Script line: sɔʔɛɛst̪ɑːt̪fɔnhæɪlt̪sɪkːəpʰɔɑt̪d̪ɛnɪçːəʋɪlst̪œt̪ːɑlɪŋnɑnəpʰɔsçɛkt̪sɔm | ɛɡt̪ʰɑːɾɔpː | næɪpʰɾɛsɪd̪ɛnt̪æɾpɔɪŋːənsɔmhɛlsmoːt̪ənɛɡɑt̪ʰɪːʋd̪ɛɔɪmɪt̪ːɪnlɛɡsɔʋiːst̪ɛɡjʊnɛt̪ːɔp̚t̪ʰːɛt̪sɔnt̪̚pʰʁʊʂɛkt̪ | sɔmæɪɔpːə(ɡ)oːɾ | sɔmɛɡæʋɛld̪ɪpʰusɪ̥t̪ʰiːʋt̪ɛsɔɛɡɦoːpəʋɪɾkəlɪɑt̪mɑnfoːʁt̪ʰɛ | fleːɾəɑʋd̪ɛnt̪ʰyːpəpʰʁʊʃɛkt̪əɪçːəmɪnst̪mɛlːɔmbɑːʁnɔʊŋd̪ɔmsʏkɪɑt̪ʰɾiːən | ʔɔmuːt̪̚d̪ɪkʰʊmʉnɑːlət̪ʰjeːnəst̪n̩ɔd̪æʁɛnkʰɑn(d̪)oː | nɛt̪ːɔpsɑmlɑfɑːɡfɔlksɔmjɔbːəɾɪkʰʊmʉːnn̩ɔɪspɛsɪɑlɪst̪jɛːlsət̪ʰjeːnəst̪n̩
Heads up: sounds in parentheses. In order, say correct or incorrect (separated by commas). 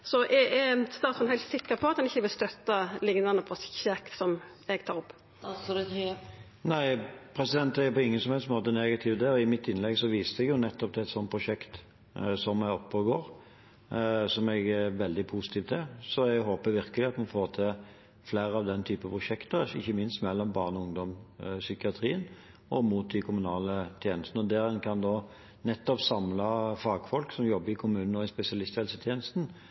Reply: correct, correct